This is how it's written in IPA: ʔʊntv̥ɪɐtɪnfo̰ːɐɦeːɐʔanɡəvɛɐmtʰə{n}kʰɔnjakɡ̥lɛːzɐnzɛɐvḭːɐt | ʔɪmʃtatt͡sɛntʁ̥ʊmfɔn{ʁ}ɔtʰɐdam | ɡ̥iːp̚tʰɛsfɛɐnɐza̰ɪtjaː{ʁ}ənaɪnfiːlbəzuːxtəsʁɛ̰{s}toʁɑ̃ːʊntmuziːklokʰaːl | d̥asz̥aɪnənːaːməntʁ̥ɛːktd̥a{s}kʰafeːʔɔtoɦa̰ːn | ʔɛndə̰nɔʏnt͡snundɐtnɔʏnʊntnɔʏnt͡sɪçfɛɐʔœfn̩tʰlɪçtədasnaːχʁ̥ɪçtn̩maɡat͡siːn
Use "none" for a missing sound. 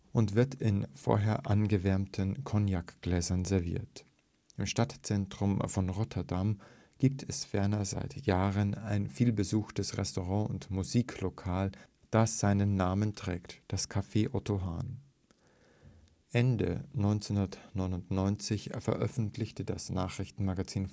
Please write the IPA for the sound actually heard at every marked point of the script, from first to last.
n, ʁ, ʁ, s, s

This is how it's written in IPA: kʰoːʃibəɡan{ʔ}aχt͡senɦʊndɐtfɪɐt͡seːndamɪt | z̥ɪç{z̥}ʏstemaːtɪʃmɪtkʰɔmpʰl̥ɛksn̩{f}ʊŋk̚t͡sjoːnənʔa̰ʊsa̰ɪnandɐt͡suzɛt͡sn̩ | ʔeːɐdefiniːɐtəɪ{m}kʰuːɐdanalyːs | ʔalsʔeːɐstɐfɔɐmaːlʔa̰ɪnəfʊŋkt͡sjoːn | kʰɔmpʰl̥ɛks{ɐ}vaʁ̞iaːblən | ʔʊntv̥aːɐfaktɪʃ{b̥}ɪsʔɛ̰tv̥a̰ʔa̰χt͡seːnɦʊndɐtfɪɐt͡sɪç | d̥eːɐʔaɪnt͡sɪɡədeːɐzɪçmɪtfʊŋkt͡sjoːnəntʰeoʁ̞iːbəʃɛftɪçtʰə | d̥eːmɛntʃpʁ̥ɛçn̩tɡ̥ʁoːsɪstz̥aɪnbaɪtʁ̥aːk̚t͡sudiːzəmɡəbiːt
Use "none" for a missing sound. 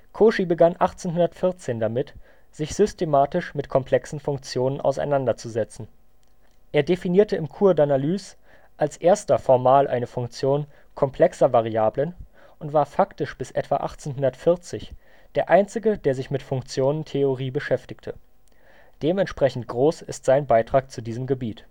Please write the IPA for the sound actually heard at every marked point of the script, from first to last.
ʔ, z̥, f, m, ɐ, b̥

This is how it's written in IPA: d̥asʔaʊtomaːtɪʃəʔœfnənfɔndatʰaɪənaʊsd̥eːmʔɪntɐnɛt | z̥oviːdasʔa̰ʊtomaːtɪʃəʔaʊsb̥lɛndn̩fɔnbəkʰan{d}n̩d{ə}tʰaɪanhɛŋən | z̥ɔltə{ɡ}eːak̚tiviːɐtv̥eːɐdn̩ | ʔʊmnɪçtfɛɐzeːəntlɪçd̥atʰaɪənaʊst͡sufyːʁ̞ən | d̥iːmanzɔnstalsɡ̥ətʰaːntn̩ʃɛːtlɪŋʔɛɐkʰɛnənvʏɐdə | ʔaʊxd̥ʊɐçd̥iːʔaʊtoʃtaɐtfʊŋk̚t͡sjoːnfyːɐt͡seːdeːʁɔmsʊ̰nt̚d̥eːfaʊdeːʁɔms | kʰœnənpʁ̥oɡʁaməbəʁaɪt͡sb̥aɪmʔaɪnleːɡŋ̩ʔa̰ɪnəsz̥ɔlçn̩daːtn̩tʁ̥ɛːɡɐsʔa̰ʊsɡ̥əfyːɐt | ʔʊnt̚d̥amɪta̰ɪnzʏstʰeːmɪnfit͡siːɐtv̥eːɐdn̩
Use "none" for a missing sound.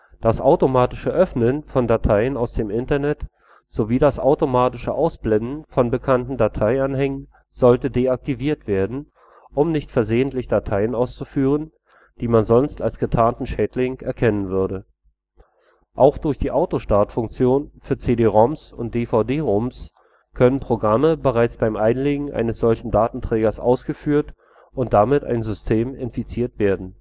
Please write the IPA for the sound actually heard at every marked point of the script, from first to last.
t, a, d

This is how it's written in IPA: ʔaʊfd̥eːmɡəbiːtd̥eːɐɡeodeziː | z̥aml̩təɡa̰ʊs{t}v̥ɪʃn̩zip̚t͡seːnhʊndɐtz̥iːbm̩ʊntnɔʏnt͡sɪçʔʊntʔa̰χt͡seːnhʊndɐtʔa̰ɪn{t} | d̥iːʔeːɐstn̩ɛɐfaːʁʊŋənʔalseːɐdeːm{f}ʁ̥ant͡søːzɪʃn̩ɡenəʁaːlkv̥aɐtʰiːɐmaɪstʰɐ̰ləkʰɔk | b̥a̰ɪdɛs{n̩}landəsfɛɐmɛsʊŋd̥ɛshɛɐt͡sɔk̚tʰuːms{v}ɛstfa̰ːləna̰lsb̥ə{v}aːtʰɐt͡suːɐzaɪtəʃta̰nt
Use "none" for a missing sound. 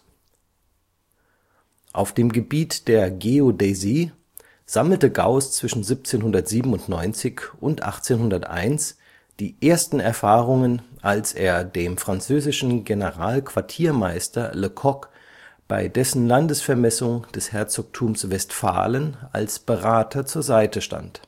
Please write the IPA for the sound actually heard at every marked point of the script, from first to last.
t͡s, s, f, n̩, v, ʁ

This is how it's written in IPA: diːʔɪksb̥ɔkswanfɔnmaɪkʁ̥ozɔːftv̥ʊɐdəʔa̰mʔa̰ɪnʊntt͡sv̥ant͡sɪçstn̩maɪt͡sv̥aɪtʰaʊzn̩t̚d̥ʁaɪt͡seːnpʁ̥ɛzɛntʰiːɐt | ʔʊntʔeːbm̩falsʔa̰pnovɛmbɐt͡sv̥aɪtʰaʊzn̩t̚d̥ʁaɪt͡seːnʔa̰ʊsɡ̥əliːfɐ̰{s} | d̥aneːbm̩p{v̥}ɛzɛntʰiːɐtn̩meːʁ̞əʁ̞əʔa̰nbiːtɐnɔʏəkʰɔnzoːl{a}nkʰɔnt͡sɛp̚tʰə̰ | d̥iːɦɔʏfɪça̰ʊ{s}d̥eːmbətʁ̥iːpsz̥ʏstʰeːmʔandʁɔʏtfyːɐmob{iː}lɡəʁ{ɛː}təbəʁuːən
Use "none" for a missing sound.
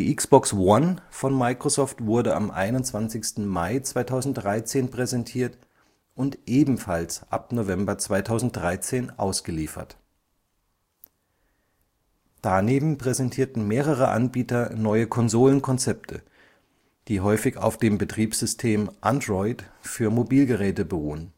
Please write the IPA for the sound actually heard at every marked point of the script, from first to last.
t, ʁ̥, ə, f, iː, ɛː

